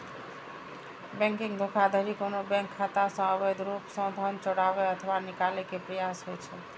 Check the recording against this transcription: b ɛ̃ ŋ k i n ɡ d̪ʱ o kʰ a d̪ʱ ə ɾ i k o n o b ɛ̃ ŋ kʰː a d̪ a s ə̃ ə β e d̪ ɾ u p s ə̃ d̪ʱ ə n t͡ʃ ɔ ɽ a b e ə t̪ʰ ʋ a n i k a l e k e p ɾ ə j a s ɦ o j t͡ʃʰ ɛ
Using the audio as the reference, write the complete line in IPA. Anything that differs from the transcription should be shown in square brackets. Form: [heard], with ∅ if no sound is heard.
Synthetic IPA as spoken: b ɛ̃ ŋ k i [ŋ] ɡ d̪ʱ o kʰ a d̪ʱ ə ɾ i k o n o b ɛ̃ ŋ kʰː a [t̪] a s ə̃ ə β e d̪ ɾ u p s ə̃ d̪ʱ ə n t͡ʃ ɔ ɽ a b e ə t̪ʰ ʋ a n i k a l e k e p ɾ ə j a s ɦ o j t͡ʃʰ ɛ